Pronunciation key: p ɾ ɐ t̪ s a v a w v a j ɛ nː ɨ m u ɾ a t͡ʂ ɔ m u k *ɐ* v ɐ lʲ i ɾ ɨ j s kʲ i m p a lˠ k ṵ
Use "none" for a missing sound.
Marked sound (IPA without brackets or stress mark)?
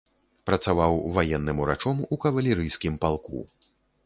ɐ